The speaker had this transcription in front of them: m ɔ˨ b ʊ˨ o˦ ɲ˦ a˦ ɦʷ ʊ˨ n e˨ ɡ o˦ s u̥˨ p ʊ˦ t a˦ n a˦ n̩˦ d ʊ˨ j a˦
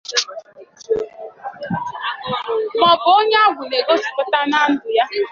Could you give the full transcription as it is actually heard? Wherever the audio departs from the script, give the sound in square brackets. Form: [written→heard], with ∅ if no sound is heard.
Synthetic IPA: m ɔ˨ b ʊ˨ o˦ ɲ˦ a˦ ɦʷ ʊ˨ n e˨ ɡ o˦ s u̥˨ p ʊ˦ t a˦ n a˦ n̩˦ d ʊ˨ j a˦